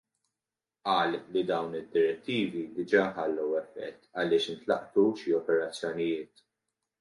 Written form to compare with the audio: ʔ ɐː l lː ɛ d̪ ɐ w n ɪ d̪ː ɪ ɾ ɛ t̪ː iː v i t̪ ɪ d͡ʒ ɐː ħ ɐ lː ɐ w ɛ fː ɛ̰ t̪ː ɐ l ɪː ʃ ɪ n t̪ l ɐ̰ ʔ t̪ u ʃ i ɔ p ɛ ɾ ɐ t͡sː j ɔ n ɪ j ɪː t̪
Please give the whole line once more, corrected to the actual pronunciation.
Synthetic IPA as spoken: ʔ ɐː l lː i d̪ ɐ w n ɪ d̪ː ɪ ɾ ɛ t̪ː iː v i d̪ ɪ d͡ʒ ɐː ħ ɐ lː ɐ w ɛ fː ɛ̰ t̪ː ɐ l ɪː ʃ ɪ n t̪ l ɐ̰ ʔ t̪ u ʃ i ɔ p ɛ ɾ ɐ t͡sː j ɔ n ɪ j ɪː t̪

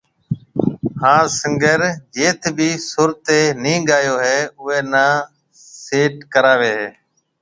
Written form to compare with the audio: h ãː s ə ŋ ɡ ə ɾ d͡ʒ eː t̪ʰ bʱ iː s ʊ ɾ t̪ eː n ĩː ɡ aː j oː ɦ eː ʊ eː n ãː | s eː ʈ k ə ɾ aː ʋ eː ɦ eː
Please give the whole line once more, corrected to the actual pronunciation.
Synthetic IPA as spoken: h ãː s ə ŋ ɡ ə ɾ d͡ʒ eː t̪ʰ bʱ iː s ʊ ɾ t̪ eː n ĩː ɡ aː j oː ɦ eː ʊ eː n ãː | s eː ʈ k ə ɾ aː ʋ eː ɦ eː

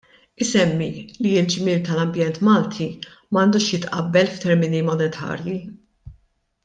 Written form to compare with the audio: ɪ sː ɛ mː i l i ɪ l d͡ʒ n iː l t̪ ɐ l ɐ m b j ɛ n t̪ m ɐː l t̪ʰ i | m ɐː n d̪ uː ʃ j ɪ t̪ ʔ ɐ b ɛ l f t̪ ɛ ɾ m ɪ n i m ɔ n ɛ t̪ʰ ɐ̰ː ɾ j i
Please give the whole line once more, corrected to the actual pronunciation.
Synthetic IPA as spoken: ɪ s ɛ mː i l i ɪ l d͡ʒ m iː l t̪ ɐ l ɐ m b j ɛ n t̪ m ɐː l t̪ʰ i | m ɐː n d̪ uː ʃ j ɪ t̪ ʔ ɐ bː ɛ l f t̪ ɛ ɾ m ɪ n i m ɔ n ɛ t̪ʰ ɐ̰ː ɾ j i

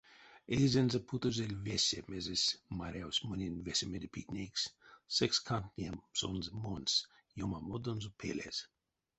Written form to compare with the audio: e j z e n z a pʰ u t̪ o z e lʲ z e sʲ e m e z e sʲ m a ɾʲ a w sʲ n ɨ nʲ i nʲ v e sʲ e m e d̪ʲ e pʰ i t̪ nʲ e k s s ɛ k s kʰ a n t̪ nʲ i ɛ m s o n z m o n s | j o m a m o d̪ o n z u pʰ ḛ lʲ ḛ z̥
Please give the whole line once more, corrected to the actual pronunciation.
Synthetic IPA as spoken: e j z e n z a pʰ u t̪ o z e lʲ v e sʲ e m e z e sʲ m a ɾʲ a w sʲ m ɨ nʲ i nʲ v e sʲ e m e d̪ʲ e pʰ i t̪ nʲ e k s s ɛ k s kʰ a n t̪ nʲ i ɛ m s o n z m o n s | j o m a m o d̪ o n z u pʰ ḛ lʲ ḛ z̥

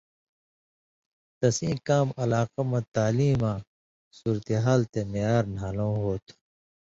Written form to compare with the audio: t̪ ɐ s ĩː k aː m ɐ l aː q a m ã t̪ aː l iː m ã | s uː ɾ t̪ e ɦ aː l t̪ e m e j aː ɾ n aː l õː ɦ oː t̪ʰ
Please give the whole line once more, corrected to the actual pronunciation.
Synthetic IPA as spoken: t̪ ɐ s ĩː k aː m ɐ l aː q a m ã t̪ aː l iː m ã | s uː ɾ t̪ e ɦ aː l t̪ e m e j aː ɾ n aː l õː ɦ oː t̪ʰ

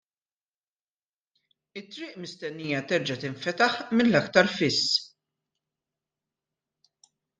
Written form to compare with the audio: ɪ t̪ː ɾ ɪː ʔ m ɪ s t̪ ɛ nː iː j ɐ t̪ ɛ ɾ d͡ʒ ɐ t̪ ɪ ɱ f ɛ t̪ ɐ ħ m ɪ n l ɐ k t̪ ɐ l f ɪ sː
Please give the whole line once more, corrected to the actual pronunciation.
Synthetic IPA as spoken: ɪ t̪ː ɾ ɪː ʔ m ɪ s t̪ ɛ nː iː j ɐ t̪ ɛ ɾ d͡ʒ ɐ t̪ ɪ ɱ f ɛ t̪ ɐ ħ m ɪ n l ɐ k t̪ ɐ ɾ f ɪ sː

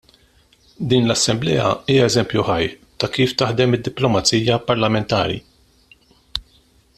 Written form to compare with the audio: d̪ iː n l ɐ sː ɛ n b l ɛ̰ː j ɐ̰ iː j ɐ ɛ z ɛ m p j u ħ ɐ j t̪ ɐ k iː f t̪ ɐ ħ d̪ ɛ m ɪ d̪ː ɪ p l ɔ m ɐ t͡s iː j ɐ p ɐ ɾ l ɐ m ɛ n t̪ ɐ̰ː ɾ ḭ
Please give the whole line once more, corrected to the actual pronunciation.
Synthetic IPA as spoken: d̪ iː n l ɐ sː ɛ m b l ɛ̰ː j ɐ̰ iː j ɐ ɛ z ɛ m p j u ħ ɐ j t̪ ɐ k iː f t̪ ɐ ħ d̪ ɛ m ɪ d̪ː ɪ p l ɔ m ɐ t͡s iː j ɐ p ɐ ɾ l ɐ m ɛ n t̪ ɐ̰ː ɾ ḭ

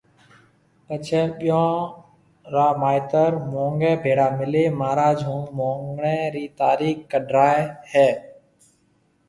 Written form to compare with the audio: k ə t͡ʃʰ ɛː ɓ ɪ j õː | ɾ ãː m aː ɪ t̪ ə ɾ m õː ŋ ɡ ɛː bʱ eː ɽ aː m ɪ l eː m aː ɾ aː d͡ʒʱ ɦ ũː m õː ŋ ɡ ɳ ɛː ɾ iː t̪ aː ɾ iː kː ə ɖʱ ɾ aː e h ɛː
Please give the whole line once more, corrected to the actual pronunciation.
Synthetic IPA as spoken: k ə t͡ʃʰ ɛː ɓ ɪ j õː | ɾ aː m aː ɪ t̪ ə ɾ m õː ŋ ɡ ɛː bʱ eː ɽ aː m ɪ l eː m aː ɾ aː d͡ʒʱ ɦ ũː m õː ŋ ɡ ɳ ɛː ɾ iː t̪ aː ɾ iː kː ə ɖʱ ɾ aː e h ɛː

